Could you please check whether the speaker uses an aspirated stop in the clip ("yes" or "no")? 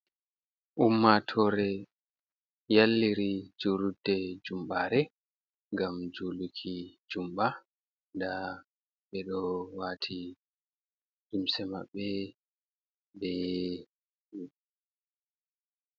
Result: yes